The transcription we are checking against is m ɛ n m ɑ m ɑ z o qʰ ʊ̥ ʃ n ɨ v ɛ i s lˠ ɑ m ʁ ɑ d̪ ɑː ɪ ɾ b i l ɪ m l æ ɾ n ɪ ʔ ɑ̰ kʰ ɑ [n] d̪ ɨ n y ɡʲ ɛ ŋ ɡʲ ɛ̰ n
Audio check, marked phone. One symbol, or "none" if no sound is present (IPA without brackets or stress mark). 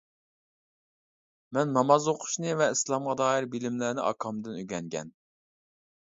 m